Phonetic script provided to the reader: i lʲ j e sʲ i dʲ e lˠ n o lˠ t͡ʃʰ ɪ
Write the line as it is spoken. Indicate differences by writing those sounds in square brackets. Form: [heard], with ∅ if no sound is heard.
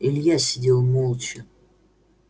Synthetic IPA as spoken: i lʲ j [a] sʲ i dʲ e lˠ [m] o lˠ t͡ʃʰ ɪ

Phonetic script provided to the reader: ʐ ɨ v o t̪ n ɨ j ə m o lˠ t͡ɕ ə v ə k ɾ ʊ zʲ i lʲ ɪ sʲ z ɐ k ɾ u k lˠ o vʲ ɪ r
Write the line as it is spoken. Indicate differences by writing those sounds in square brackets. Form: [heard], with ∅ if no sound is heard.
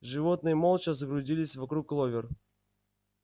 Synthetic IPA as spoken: ʐ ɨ v o t̪ n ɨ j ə m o lˠ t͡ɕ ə [z] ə [ɡ] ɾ ʊ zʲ i lʲ ɪ sʲ [v] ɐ k ɾ u k lˠ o vʲ ɪ r

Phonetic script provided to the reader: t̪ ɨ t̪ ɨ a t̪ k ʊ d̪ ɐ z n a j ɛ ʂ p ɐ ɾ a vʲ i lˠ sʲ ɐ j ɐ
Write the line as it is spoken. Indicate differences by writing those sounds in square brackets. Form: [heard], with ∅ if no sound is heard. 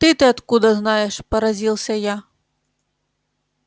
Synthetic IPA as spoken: t̪ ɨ t̪ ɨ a t̪ k [u] d̪ ɐ z n a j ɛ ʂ p ɐ ɾ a [zʲ] i lˠ sʲ ɐ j [a]

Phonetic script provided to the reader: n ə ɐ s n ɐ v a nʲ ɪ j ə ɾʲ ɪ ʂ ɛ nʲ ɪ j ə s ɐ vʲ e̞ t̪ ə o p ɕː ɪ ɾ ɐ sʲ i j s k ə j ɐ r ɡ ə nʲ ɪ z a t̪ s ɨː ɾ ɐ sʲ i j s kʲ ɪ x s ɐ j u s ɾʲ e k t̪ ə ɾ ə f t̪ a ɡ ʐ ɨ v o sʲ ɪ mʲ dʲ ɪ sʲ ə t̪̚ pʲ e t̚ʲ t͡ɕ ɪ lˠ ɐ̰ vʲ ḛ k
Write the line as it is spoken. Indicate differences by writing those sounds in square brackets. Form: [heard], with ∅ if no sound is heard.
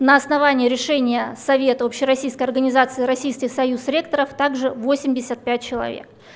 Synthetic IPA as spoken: n ə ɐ s n ɐ v a nʲ ɪ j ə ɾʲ ɪ ʂ ɛ nʲ ɪ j ə s ɐ vʲ e̞ t̪ ə o p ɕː ɪ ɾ ɐ sʲ i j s k ə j ɐ r ɡ ə nʲ ɪ z a t̪ s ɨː ɾ ɐ sʲ i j s kʲ ɪ x s ɐ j u s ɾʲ e k t̪ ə ɾ ə f t̪ a ɡ ʐ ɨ v o sʲ ɪ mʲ dʲ ɪ sʲ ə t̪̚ pʲ [æ] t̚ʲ t͡ɕ ɪ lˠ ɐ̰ vʲ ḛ k

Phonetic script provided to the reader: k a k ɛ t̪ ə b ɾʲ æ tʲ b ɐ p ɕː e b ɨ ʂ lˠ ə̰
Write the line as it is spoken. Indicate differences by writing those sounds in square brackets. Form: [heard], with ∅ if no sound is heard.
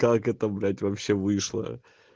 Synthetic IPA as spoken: k a k ɛ t̪ ə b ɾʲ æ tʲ [v] ɐ p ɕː e [v] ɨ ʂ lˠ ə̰

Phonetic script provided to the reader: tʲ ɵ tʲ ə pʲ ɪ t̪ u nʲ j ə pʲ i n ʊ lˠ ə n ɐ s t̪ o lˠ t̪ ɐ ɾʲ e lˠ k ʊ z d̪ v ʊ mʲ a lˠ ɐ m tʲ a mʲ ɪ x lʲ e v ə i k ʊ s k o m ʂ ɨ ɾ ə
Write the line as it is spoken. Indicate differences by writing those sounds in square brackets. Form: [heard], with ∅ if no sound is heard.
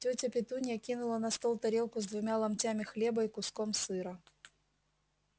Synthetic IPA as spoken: tʲ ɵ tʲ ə pʲ ɪ t̪ u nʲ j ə [kʲ] i n ʊ lˠ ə n ɐ s t̪ o lˠ t̪ ɐ ɾʲ e lˠ k ʊ z d̪ v ʊ mʲ a lˠ ɐ m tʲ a mʲ ɪ x lʲ e [b] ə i k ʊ s k o m [s] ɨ ɾ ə

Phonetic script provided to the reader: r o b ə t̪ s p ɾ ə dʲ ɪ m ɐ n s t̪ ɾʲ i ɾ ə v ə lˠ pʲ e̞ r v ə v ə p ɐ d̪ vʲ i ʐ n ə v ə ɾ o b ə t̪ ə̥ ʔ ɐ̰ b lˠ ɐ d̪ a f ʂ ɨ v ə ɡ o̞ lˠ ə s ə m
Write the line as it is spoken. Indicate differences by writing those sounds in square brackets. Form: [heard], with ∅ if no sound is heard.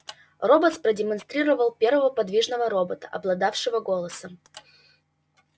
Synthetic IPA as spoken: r o b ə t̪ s p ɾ ə dʲ ɪ m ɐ n s t̪ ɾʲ i ɾ ə v ə lˠ pʲ e̞ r v ə v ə p ɐ d̪ vʲ i ʐ n ə v ə ɾ o b ə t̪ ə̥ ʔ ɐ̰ b lˠ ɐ d̪ a f ʂ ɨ v ə ɡ o̞ lˠ ə s ə m

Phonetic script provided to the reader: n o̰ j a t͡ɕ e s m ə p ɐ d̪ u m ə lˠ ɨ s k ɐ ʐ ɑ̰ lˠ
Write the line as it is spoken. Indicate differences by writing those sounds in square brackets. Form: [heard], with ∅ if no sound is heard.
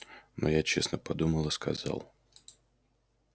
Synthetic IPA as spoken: n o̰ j a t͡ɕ e s [n] ə p ɐ d̪ u m ə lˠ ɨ s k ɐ [z] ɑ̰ lˠ

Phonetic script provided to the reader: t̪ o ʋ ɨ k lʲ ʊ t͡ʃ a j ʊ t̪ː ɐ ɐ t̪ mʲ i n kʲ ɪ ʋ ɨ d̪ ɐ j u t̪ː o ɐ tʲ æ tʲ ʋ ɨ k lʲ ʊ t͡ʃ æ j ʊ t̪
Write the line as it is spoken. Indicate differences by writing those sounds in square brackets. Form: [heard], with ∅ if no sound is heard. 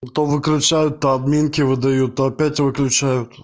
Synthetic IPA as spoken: t̪ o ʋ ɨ k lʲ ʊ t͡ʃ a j ʊ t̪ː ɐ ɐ [d̪] mʲ i n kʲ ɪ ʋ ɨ d̪ ɐ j u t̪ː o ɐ [pʲ] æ tʲ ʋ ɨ k lʲ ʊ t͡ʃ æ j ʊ t̪

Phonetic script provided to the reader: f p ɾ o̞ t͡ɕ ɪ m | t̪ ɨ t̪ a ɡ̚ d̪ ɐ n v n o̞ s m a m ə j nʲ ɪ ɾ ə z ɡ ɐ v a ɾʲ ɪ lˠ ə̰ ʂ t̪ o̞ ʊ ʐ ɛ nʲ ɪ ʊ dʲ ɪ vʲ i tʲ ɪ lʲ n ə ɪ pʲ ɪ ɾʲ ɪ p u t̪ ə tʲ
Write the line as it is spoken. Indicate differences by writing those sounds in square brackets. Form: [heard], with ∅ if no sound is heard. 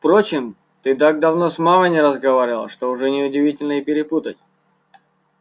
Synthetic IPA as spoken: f p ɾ o̞ t͡ɕ ɪ m | t̪ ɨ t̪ a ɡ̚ d̪ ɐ [∅] v n o̞ s m a m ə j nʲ ɪ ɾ ə z ɡ ɐ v a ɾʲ ɪ lˠ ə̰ ʂ t̪ o̞ ʊ ʐ ɛ nʲ ɪ ʊ dʲ ɪ vʲ i tʲ ɪ lʲ n ə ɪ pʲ ɪ ɾʲ ɪ p u t̪ ə tʲ

